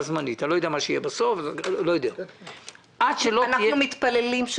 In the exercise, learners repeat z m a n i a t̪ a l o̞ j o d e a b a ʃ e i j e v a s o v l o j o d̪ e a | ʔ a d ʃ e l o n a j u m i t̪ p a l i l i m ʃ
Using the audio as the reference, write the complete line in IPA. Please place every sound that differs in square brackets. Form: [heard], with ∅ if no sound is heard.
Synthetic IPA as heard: z m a n i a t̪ a l o̞ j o d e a [m] a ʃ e i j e [b] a s o [f] l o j o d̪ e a | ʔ a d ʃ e l o n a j u m i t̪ p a l [e] l i m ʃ